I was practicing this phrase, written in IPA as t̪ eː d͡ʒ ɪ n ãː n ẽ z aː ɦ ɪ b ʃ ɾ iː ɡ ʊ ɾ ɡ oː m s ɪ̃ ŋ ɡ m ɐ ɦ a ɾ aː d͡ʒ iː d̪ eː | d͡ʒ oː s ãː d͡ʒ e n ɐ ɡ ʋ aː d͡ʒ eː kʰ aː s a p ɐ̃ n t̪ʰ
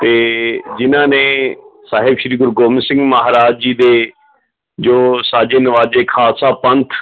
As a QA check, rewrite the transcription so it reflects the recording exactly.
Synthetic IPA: t̪ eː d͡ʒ ɪ n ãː n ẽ s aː ɦ ɪ b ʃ ɾ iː ɡ ʊ ɾ ɡ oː m s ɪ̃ ŋ ɡ m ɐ ɦ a ɾ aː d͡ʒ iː d̪ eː | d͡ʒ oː s aː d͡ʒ e n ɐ ʋ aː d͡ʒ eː kʰ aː s a p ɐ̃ n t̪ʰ

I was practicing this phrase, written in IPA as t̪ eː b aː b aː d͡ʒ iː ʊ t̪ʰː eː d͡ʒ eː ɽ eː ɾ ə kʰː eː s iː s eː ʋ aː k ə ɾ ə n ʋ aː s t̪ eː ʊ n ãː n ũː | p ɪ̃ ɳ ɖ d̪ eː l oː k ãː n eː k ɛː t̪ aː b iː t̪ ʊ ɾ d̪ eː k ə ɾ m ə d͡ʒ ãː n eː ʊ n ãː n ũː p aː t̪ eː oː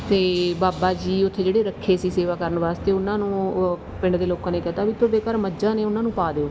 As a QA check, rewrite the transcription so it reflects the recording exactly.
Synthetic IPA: t̪ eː b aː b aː d͡ʒ iː ʊ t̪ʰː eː d͡ʒ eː ɽ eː ɾ ə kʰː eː s iː s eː ʋ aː k ə ɾ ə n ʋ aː s t̪ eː ʊ n ãː n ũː | p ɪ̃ ɳ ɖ d̪ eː l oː k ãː n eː k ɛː t̪ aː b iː t̪ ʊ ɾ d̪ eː k ə ɾ m ə d͡ʒ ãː n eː ʊ n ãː n ũː p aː d̪ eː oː

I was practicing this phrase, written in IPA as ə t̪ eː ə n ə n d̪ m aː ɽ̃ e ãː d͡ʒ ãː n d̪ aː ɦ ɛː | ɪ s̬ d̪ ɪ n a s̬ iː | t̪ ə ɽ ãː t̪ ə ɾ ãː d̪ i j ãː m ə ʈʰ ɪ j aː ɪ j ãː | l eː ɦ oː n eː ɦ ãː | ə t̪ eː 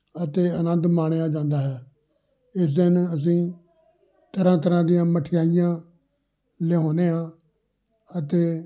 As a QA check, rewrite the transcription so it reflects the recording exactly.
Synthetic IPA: ə t̪ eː ə n ə n d̪ m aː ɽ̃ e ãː d͡ʒ ãː n d̪ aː ɦ ɛː | ɪ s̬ d̪ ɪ n ə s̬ ĩː | t̪ ə ɾ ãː t̪ ə ɾ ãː d̪ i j ãː m ə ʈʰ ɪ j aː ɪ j ãː | l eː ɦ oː n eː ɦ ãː | ə t̪ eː

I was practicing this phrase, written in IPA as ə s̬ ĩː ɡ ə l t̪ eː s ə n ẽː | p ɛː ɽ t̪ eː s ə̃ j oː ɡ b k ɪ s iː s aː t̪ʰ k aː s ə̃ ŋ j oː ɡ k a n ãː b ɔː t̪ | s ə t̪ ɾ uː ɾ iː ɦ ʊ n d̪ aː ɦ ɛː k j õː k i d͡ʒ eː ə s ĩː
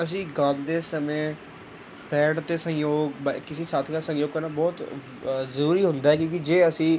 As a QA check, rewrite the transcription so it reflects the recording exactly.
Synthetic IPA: ə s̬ ĩː ɡ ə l d̪ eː s ə m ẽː | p ɛː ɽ t̪ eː s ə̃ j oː ɡ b k ɪ s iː s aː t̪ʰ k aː s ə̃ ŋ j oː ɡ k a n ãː b ɔː t̪ | z ə ɾ uː ɾ iː ɦ ʊ n d̪ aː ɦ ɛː k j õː k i d͡ʒ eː ə s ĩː

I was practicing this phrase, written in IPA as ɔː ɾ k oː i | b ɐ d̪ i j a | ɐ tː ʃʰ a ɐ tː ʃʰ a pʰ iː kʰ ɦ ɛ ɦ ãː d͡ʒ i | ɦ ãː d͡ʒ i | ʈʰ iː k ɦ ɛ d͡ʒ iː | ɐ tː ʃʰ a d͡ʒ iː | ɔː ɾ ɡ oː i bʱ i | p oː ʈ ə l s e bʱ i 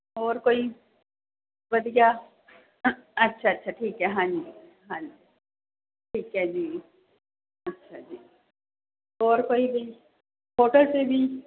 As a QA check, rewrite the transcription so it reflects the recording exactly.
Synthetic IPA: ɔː ɾ k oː i | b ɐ d̪ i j a | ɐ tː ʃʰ a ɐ tː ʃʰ a ʈʰ iː k ɦ ɛ ɦ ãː d͡ʒ i | ɦ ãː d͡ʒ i | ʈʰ iː k ɦ ɛ d͡ʒ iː | ɐ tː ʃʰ a d͡ʒ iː | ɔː ɾ k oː i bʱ i | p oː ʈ ə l s e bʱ i

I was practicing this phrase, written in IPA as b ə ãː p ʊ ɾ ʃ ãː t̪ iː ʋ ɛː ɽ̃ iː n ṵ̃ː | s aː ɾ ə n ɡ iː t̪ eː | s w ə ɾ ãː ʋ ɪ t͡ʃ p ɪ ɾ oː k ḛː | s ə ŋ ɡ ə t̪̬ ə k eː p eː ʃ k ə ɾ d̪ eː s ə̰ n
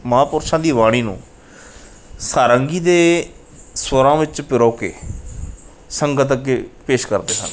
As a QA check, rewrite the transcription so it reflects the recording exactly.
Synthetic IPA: m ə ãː p ʊ ɾ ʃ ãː d̪ iː ʋ aː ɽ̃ iː n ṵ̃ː | s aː ɾ ə ŋ ɡ iː d̪ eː | s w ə ɾ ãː ʋ ɪ t͡ʃ p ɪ ɾ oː k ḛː | s ə ŋ ɡ ə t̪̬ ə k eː p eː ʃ k ə ɾ d̪ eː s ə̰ n

